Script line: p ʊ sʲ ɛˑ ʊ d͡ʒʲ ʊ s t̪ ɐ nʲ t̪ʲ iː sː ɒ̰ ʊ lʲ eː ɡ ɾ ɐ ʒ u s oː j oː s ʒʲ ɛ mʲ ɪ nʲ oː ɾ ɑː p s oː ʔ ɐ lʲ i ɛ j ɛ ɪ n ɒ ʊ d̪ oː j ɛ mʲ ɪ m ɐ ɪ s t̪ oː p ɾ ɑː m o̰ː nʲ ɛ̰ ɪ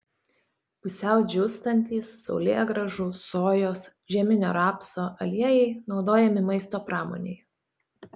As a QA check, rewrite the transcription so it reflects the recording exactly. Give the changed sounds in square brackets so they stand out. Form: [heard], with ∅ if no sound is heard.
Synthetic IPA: p ʊ sʲ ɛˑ ʊ d͡ʒʲ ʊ s t̪ ɐ nʲ t̪ʲ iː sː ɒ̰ ʊ lʲ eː ɡ ɾ ɐ ʒ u s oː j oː s ʒʲ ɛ mʲ ɪ nʲ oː ɾ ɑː p s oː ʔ ɐ lʲ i ɛ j ɛ ɪ n ɒ ʊ d̪ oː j ɛ mʲ ɪ m ɐ ɪ s t̪ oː p ɾ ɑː m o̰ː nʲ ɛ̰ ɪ

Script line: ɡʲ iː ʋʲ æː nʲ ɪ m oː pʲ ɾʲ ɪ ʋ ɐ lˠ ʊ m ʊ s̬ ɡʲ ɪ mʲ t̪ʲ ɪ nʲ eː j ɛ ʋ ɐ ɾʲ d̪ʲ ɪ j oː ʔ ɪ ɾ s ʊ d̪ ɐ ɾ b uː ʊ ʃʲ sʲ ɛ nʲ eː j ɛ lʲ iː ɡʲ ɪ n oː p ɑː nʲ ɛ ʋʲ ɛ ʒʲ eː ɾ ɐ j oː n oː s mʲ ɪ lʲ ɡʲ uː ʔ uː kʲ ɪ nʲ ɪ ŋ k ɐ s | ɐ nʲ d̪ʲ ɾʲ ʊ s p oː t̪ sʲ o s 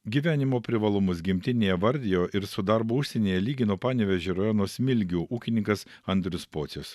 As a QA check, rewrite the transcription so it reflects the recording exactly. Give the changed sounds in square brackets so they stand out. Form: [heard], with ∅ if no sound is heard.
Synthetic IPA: ɡʲ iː ʋʲ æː nʲ ɪ m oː pʲ ɾʲ ɪ ʋ ɐ lˠ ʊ m ʊ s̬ ɡʲ ɪ mʲ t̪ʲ ɪ nʲ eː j ɛ ʋ ɐ ɾʲ d̪ʲ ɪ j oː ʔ ɪ ɾ s ʊ d̪ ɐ ɾ b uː ʊ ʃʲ sʲ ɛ nʲ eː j ɛ lʲ iː ɡʲ ɪ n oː p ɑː nʲ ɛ ʋʲ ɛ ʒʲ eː ɾ ɐ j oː n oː s mʲ ɪ lʲ ɡʲ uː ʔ uː kʲ ɪ nʲ ɪ ŋ k ɐ s | ɐ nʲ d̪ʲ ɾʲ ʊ s p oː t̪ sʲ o s

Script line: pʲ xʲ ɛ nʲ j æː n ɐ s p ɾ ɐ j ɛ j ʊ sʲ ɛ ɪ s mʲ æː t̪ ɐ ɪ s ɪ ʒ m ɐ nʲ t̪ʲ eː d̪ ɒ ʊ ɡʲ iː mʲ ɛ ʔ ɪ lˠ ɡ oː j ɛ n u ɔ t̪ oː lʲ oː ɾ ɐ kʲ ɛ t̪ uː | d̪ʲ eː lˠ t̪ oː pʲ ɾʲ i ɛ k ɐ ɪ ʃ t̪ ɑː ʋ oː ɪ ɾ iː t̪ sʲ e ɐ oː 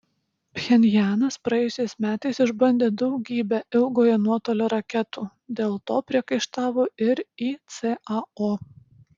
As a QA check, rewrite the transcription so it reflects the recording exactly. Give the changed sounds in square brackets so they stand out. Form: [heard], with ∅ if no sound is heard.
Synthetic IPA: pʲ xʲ ɛ nʲ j æː n ɐ s p ɾ ɐ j ɛ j ʊ sʲ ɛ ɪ s mʲ æː t̪ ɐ ɪ s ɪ ʒ [b] ɐ nʲ [d̪ʲ] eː d̪ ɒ ʊ ɡʲ iː [bʲ] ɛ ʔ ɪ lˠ ɡ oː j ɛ n u ɔ t̪ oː lʲ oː ɾ ɐ kʲ ɛ t̪ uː | d̪ʲ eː lˠ t̪ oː pʲ ɾʲ i ɛ k ɐ ɪ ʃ t̪ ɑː ʋ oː ɪ ɾ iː t̪ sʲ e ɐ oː

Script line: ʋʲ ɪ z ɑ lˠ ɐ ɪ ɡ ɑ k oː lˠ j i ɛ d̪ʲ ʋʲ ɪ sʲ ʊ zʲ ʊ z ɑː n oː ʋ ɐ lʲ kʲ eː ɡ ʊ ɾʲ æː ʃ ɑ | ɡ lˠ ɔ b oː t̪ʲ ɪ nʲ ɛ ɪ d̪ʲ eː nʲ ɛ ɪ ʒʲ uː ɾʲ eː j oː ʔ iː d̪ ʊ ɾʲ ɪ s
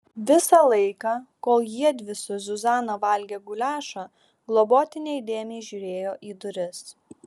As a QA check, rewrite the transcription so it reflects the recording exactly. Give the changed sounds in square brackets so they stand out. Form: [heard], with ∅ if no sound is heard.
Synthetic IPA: ʋʲ ɪ [s] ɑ lˠ ɐ ɪ [k] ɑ k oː lˠ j i ɛ d̪ʲ ʋʲ ɪ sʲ ʊ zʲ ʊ z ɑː n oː ʋ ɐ lʲ [ɡʲ] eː ɡ ʊ [lʲ] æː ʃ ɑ | ɡ lˠ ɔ b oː t̪ʲ ɪ nʲ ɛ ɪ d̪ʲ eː [mʲ] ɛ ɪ ʒʲ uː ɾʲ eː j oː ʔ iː d̪ ʊ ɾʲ ɪ s

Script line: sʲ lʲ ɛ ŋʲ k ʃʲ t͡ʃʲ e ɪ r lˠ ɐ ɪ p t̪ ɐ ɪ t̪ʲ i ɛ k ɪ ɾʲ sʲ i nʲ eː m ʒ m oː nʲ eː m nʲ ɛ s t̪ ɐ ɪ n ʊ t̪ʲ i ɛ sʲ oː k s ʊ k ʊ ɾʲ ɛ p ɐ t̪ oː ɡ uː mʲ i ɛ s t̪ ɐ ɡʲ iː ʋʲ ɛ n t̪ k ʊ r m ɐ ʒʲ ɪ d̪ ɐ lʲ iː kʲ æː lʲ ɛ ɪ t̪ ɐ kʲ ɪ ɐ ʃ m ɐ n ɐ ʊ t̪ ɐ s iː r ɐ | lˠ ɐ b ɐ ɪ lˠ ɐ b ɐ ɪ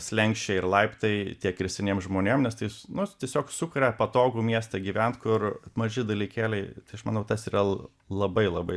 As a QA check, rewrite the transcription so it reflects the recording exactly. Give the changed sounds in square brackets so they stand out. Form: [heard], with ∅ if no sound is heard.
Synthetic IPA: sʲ lʲ ɛ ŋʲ k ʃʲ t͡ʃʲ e ɪ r lˠ ɐ ɪ p t̪ ɐ ɪ t̪ʲ i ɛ k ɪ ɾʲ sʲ [ɛ] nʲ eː m ʒ m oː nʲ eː m nʲ ɛ s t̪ ɐ ɪ n ʊ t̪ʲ i ɛ sʲ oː k s ʊ k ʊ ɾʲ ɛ p ɐ t̪ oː ɡ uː mʲ i ɛ s t̪ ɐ ɡʲ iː ʋʲ ɛ n t̪ k ʊ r m ɐ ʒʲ ɪ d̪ ɐ lʲ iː kʲ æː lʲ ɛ ɪ t̪ ɐ [∅] ɪ ɐ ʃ m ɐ n ɐ ʊ t̪ ɐ s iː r ɐ | lˠ ɐ b ɐ ɪ lˠ ɐ b ɐ ɪ

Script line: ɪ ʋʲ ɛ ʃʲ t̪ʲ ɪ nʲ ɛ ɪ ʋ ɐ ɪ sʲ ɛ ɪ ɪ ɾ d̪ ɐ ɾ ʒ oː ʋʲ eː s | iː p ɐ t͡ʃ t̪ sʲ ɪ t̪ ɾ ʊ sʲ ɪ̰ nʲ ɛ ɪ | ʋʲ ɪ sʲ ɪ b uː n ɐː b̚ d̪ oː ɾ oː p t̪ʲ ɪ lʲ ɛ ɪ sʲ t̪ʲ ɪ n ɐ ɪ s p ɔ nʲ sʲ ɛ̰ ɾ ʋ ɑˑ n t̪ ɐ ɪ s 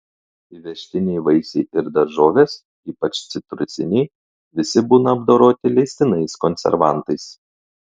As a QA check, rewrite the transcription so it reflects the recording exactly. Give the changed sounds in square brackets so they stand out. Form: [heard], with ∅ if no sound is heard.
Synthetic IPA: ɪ ʋʲ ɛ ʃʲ t̪ʲ ɪ nʲ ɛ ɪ ʋ ɐ ɪ sʲ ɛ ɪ ɪ ɾ d̪ ɐ ɾ ʒ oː ʋʲ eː s | iː p ɐ t͡ʃ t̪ sʲ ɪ t̪ ɾ ʊ sʲ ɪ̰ nʲ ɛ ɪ | ʋʲ ɪ sʲ ɪ b uː n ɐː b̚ d̪ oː ɾ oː [∅] t̪ʲ ɪ lʲ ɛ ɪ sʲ t̪ʲ ɪ n ɐ ɪ s [k] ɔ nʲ sʲ ɛ̰ ɾ ʋ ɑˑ n t̪ ɐ ɪ s

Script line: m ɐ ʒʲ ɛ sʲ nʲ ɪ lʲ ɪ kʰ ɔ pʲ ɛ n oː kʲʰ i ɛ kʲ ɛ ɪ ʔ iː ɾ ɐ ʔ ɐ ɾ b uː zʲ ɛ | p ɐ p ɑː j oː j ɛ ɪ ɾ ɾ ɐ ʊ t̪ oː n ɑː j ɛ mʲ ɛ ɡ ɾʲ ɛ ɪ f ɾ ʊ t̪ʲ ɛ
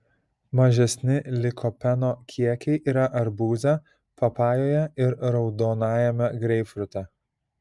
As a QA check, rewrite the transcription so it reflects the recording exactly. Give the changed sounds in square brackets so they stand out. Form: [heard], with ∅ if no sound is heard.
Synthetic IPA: m ɐ ʒʲ ɛ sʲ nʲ ɪ lʲ ɪ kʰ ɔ pʲ ɛ n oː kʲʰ i ɛ kʲ ɛ ɪ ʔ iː ɾ ɐ ʔ ɐ ɾ b uː zʲ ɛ | p ɐ p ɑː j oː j ɛ ɪ ɾ ɾ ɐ ʊ [d̪] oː n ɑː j ɛ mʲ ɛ ɡ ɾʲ ɛ ɪ f ɾ ʊ t̪ʲ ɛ

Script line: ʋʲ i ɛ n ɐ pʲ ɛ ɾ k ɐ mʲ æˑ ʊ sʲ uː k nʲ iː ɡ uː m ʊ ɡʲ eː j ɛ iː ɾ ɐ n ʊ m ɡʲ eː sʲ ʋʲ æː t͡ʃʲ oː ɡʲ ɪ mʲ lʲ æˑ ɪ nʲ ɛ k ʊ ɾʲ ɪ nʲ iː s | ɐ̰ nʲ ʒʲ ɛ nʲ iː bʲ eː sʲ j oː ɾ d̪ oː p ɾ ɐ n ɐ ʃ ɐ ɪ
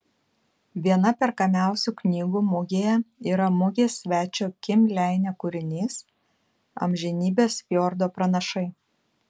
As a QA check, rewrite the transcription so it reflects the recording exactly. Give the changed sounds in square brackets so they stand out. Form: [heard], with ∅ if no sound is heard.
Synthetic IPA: ʋʲ i ɛ n ɐ pʲ ɛ ɾ k ɐ mʲ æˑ ʊ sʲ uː k nʲ iː ɡ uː m ʊ ɡʲ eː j ɛ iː ɾ ɐ [m] ʊ [∅] ɡʲ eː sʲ ʋʲ æː t͡ʃʲ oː [kʲ] ɪ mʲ lʲ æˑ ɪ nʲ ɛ k ʊ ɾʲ ɪ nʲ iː s | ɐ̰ [mʲ] ʒʲ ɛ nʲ iː bʲ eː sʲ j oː ɾ d̪ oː p ɾ ɐ n ɐ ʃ ɐ ɪ

